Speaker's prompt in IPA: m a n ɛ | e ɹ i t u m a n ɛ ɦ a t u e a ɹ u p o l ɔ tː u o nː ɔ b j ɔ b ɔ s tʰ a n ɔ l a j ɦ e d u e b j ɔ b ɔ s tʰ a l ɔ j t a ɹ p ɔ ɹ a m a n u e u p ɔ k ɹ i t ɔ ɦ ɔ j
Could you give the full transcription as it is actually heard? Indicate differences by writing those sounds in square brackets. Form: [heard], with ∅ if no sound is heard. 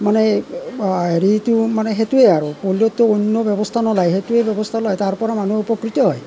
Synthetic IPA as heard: m a n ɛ | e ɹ i t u m a n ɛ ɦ [e] t u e a ɹ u p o l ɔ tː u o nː ɔ b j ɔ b ɔ s tʰ a n ɔ l a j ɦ e [t] u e b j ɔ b ɔ s tʰ a l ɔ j t a ɹ p ɔ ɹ a m a n u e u p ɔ k ɹ i t ɔ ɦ ɔ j